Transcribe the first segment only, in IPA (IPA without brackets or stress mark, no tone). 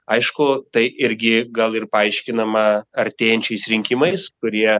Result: ɐ